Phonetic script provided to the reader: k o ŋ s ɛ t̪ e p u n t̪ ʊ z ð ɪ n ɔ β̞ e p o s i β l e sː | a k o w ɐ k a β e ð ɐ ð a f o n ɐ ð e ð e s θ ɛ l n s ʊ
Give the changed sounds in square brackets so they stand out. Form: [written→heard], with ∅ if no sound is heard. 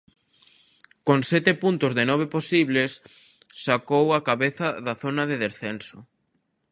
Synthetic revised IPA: k o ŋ s ɛ t̪ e p u n t̪ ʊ z ð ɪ n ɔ β̞ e p o s i β l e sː | a k o w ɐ k a β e [ð→θ] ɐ ð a [f→θ] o n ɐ ð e ð e s θ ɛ [l→∅] n s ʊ